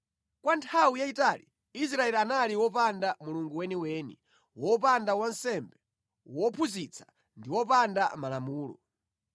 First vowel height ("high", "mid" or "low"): low